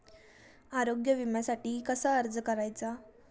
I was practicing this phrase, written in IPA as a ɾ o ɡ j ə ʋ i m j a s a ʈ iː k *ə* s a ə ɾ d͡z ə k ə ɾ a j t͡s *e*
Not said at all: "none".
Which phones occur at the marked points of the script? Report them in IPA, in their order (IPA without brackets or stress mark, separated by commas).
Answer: ə, a